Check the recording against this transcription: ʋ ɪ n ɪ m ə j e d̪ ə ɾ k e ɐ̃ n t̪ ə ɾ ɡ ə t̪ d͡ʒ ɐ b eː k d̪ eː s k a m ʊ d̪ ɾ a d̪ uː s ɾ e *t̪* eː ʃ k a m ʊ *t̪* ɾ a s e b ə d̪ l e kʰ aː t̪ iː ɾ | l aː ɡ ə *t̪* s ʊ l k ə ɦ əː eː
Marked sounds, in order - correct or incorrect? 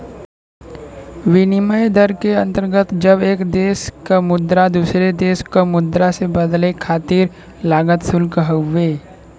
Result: incorrect, incorrect, correct

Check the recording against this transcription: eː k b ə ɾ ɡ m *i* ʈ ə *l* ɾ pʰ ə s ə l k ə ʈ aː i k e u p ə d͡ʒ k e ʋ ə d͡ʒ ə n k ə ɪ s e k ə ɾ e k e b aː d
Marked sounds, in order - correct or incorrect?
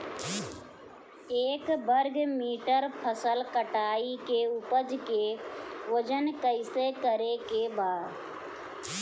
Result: incorrect, incorrect

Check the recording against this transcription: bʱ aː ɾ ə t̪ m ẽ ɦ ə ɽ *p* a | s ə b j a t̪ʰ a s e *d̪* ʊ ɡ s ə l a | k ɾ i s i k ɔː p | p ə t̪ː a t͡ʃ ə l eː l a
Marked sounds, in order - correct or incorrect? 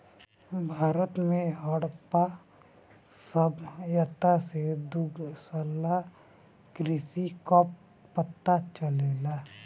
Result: correct, correct

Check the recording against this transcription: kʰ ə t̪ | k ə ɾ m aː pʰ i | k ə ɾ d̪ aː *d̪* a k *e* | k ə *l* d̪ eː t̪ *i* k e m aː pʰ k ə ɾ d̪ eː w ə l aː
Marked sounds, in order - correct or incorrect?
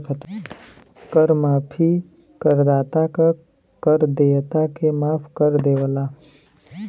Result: incorrect, incorrect, incorrect, incorrect

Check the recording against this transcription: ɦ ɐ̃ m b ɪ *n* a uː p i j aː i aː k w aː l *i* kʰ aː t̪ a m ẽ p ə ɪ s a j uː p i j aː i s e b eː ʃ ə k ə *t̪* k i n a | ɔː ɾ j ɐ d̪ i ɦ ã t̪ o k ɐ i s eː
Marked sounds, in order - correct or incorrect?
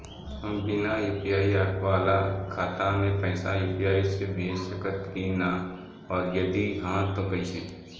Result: correct, incorrect, correct

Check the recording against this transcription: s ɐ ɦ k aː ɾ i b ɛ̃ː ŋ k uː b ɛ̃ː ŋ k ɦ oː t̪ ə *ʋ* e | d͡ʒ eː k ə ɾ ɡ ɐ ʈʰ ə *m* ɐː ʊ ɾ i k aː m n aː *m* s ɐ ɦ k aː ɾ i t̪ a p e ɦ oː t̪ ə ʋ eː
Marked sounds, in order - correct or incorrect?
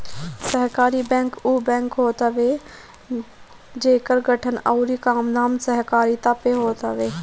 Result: correct, incorrect, correct

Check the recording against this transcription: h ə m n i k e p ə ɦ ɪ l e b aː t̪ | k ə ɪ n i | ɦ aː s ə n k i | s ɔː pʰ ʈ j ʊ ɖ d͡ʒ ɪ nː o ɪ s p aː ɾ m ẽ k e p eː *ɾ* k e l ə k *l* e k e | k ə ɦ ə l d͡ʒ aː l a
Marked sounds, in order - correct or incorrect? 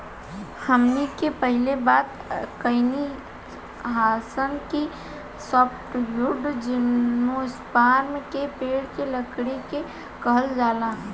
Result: incorrect, incorrect

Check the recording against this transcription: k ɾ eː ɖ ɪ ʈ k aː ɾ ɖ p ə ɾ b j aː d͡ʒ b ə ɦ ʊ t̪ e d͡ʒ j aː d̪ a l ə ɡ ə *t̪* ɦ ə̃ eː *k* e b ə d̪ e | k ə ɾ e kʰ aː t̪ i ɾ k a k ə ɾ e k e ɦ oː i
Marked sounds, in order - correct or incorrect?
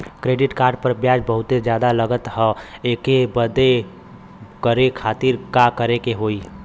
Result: correct, correct

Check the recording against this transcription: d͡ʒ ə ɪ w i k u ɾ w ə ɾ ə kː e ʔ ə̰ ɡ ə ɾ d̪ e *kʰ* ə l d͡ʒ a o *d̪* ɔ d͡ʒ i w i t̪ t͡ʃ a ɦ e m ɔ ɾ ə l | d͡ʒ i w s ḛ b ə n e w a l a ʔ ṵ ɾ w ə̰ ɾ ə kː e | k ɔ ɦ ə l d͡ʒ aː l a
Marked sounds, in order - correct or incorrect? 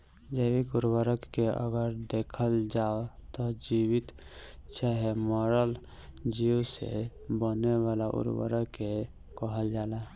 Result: correct, incorrect

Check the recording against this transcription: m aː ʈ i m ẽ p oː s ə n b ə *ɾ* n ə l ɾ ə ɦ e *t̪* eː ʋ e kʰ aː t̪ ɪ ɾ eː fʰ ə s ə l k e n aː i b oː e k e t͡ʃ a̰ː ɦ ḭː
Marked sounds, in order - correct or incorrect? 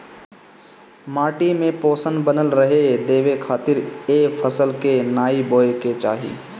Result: incorrect, incorrect

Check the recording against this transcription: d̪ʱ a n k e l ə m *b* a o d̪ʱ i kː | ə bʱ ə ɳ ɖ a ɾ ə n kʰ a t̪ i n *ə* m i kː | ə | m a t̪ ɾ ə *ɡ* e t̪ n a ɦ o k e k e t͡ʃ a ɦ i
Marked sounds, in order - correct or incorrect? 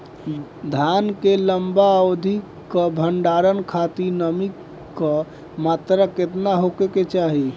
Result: correct, correct, incorrect

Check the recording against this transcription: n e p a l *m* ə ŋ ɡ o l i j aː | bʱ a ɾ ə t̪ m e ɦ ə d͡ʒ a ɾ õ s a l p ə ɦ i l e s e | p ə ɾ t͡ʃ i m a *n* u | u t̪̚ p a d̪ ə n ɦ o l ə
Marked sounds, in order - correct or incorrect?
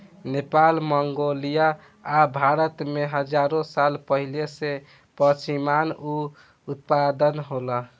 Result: correct, correct

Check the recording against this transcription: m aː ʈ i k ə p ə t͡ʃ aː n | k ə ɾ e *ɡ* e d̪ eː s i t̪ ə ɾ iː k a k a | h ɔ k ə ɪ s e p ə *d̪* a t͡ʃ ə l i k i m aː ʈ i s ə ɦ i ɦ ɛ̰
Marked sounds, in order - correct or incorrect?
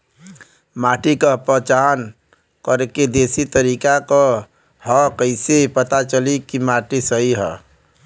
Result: incorrect, incorrect

